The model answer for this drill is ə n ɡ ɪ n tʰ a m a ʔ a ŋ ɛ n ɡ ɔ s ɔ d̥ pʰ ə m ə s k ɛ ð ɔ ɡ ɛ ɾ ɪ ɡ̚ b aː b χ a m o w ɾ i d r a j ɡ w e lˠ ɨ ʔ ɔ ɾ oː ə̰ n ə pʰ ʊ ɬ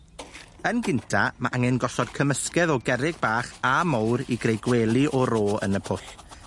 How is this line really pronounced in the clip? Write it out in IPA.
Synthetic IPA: ə n ɡ ɪ n tʰ a m a ʔ a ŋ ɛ n ɡ ɔ s ɔ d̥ kʰ ə m ə s k ɛ ð ɔ ɡ ɛ ɾ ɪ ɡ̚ b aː χ a m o w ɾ i ɡ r e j ɡ w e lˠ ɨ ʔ ɔ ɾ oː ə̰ n ə pʰ ʊ ɬ